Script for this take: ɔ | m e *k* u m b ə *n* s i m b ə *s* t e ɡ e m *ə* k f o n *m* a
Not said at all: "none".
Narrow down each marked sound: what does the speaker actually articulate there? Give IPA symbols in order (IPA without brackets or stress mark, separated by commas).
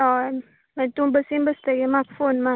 t, none, s, a, m